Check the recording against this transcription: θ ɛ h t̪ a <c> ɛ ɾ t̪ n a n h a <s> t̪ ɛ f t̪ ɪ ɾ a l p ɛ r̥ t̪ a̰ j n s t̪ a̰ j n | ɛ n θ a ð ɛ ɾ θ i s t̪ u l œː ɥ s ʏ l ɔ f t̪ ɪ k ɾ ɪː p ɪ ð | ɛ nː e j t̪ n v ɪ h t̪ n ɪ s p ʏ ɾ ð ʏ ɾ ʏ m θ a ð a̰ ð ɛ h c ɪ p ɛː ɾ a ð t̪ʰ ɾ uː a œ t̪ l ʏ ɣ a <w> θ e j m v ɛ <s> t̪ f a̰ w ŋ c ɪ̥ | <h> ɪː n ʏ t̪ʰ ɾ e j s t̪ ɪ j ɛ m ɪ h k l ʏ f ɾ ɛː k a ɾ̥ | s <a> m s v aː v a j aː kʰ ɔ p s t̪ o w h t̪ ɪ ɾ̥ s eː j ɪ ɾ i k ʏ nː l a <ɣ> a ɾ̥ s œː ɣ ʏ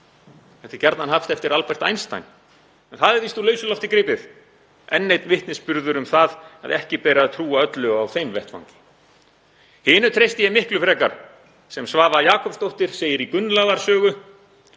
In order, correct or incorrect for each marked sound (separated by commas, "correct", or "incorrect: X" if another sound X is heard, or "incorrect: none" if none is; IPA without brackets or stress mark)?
correct, incorrect: f, correct, incorrect: h, correct, incorrect: ɛ, incorrect: ð